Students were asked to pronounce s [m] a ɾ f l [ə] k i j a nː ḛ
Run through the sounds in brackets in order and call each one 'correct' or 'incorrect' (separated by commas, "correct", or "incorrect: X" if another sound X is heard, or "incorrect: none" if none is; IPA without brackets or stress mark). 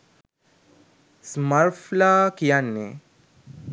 correct, incorrect: a